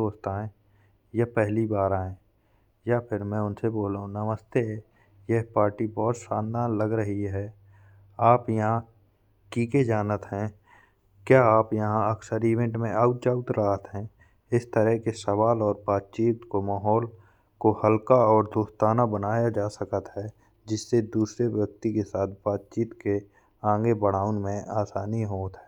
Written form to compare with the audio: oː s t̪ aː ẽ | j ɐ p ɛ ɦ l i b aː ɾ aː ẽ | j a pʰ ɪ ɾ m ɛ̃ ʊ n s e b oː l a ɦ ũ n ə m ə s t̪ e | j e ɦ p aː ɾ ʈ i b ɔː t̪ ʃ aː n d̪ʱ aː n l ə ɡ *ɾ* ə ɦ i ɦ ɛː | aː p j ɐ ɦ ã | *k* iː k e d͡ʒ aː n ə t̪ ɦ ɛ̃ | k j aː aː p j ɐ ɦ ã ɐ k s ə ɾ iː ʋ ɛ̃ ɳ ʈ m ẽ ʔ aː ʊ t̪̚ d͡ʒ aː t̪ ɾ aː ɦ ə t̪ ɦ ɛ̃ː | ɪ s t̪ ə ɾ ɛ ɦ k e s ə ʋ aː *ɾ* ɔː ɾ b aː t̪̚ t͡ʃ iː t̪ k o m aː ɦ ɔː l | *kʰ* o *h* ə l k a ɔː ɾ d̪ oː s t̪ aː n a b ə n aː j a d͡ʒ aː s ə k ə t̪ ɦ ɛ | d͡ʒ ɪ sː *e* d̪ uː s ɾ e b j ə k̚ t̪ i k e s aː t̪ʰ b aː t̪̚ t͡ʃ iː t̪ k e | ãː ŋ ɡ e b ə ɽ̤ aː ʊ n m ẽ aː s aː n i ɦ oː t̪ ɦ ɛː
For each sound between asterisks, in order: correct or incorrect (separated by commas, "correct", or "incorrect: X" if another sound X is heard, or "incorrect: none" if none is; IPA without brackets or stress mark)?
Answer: correct, correct, incorrect: l, incorrect: k, correct, correct